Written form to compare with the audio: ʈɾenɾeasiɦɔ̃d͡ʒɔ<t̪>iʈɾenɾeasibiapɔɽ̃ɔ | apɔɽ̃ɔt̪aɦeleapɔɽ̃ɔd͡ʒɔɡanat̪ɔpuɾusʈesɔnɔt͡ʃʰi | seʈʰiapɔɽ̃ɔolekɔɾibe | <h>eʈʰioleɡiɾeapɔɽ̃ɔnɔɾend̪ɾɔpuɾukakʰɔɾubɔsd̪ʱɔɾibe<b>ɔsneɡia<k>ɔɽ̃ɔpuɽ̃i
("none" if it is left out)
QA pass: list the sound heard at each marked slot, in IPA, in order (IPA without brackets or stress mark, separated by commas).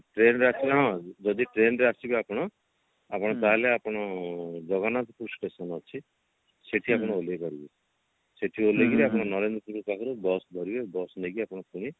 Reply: d̪, s, b, p